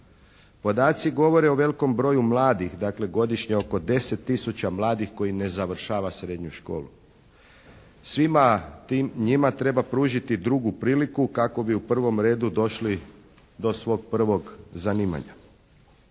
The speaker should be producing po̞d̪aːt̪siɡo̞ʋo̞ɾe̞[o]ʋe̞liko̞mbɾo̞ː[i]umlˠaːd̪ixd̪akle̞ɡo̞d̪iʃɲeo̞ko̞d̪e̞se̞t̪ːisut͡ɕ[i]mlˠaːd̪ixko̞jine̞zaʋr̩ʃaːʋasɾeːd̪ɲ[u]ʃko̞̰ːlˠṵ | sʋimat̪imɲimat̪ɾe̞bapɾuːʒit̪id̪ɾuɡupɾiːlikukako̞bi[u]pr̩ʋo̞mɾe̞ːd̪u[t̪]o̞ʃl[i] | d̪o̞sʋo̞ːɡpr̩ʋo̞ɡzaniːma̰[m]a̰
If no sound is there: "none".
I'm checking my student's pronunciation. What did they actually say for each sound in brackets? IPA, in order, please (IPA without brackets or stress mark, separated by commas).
o, j, a, u, u, d̪, i, ɲ